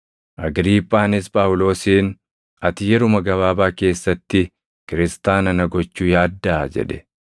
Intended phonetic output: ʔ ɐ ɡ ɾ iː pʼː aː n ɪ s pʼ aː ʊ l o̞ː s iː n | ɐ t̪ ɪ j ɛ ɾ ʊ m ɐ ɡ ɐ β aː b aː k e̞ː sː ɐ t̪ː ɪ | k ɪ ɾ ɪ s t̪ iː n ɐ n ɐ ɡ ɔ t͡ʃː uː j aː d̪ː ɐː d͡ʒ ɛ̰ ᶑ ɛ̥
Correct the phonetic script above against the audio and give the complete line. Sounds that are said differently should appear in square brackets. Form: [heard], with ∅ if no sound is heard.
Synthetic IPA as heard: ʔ ɐ ɡ ɾ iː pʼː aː n ɪ s pʼ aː ʊ l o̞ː s iː n | ɐ t̪ ɪ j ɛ ɾ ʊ m ɐ ɡ ɐ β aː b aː k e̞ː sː ɐ t̪ː ɪ | k ɪ ɾ ɪ s t̪ [aː] n ɐ n ɐ ɡ ɔ t͡ʃː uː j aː d̪ː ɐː d͡ʒ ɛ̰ ᶑ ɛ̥